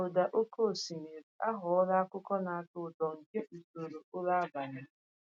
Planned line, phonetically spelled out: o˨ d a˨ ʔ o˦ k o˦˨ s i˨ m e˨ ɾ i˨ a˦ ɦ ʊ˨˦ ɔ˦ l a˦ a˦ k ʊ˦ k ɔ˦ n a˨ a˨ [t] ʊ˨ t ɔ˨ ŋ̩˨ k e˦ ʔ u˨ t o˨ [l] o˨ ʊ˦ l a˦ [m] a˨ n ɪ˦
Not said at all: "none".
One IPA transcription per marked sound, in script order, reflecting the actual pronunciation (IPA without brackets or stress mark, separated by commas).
t, ɾ, b